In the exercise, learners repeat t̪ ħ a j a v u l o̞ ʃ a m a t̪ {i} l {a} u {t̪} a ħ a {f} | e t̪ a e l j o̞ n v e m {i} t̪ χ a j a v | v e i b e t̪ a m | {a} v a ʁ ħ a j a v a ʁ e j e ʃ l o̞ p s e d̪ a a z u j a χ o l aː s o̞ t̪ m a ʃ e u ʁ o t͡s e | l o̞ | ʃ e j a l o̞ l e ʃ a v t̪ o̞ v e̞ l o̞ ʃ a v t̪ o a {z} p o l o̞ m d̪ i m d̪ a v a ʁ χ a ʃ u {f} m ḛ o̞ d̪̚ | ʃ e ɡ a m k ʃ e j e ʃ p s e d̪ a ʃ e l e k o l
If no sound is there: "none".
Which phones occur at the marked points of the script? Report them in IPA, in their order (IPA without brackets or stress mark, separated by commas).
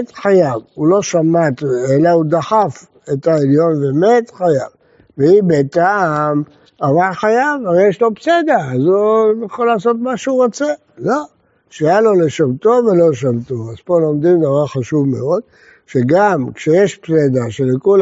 e, a, d̪, f, e, a, z, v